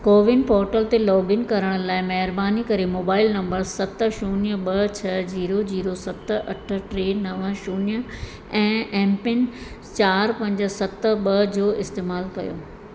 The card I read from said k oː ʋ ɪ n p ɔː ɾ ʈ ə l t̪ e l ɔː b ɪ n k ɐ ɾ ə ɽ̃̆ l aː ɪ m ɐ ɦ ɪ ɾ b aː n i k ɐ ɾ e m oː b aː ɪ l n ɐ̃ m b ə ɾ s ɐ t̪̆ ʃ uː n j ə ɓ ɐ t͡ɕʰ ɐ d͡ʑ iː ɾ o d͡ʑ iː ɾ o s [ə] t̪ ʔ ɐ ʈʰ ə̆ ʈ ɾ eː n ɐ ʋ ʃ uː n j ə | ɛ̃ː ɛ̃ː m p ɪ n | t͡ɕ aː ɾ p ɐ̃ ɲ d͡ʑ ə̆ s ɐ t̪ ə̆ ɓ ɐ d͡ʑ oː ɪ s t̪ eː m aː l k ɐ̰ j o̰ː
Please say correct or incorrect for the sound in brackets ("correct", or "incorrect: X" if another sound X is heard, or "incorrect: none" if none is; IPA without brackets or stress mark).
incorrect: ɐ